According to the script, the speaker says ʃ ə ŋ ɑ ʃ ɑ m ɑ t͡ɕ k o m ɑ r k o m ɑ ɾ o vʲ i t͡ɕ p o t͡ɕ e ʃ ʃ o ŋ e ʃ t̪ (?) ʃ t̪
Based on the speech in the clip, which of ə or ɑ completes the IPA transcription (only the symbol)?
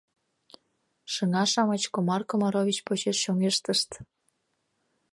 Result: ə